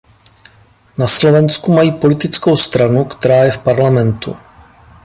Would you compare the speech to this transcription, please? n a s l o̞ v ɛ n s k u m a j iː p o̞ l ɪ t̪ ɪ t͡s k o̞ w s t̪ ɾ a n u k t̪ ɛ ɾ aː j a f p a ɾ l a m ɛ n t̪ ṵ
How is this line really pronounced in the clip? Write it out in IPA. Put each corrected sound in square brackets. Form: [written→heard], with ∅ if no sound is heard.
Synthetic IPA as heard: n a s l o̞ v ɛ n s k u m a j iː p o̞ l ɪ t̪ ɪ t͡s k o̞ w s t̪ ɾ a n u k t̪ ɛ ɾ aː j [a→ɛ] f p a ɾ l a m ɛ n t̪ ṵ